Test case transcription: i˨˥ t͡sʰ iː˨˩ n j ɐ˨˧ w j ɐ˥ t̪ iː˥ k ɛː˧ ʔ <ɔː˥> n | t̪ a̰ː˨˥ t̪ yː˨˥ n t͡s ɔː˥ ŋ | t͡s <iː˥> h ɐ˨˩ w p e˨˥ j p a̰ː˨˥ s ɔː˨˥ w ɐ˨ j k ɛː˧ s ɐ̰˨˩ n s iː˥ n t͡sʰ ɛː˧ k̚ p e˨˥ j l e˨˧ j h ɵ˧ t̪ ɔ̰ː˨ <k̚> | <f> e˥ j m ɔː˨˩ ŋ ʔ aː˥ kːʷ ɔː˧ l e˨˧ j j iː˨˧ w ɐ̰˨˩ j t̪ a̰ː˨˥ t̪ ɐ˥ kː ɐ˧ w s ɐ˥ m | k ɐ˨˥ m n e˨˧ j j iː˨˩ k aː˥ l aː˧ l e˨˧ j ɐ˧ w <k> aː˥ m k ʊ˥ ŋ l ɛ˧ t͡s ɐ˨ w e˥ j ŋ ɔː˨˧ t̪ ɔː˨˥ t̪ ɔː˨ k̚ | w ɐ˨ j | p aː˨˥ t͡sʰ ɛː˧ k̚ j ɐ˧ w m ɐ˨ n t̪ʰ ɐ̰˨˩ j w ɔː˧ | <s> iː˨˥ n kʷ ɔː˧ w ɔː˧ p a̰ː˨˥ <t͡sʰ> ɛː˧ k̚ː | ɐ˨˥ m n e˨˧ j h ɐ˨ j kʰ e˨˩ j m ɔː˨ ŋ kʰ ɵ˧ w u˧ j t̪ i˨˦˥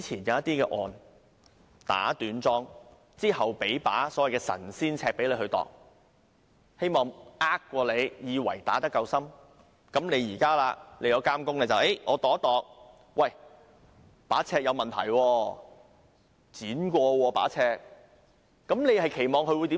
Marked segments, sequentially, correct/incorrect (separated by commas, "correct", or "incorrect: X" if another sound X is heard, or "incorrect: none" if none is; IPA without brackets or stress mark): incorrect: ɔː˨, correct, correct, incorrect: h, correct, incorrect: t͡s, correct